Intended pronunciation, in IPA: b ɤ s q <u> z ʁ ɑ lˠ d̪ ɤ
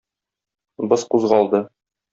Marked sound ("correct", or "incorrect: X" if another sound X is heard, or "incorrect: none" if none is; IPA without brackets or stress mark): correct